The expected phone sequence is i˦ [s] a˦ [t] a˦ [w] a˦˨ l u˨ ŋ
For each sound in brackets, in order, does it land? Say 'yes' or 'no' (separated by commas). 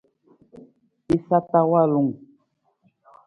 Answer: yes, yes, yes